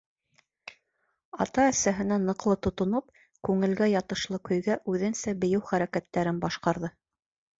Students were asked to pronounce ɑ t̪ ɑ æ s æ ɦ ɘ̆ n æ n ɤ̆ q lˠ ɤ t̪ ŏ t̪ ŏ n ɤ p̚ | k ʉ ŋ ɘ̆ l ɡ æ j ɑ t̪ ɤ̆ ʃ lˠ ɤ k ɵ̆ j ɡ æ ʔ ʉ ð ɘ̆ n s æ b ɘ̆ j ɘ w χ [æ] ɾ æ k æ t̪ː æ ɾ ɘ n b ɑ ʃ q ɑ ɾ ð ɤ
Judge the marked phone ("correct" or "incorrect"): correct